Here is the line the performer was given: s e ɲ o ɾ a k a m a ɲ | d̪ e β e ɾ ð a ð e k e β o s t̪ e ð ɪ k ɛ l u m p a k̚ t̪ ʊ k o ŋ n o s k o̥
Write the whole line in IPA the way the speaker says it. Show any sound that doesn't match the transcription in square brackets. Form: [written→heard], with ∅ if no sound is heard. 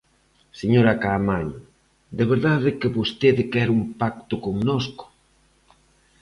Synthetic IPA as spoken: s e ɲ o ɾ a k a m a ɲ | d̪ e β e ɾ ð a ð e k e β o s t̪ e ð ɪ k ɛ [l→ɾ] u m p a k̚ t̪ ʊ k o ŋ n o s k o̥